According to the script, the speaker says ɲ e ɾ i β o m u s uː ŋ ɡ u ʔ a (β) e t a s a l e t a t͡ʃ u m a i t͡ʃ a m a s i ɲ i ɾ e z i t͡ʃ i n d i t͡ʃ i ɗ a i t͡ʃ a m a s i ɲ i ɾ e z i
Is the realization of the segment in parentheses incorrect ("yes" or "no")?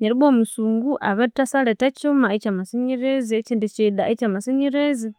no